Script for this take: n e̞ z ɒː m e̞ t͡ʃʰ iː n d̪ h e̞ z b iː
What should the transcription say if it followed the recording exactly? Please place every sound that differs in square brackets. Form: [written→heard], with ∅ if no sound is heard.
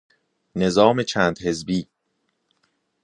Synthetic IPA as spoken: n e̞ z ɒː m e̞ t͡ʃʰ [iː→æː] n d̪ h e̞ z b iː